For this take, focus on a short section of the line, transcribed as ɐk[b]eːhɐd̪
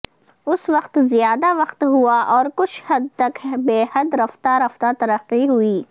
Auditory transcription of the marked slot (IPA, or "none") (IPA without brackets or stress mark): b